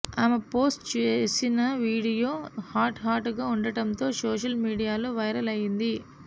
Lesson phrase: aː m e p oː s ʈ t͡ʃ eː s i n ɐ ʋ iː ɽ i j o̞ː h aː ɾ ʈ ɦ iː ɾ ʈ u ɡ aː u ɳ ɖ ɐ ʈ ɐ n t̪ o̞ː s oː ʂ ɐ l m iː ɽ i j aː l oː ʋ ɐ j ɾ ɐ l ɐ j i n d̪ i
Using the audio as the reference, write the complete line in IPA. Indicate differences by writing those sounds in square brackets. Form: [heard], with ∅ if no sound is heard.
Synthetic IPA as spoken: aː m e p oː s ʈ t͡ʃ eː s i n ɐ ʋ iː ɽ i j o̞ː h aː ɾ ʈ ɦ [aː] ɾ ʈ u ɡ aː u ɳ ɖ ɐ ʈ ɐ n t̪ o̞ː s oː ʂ ɐ l m iː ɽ i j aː l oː ʋ ɐ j ɾ ɐ l ɐ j i n d̪ i